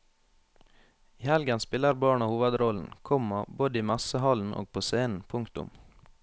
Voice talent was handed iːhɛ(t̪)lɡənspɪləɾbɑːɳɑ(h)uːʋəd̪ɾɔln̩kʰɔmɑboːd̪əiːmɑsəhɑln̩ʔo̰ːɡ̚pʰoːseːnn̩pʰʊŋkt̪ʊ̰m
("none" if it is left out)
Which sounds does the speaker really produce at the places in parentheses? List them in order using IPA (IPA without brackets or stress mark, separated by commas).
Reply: none, h